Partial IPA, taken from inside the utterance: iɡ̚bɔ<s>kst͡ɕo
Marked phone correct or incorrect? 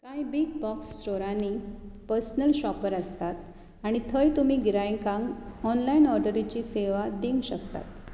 incorrect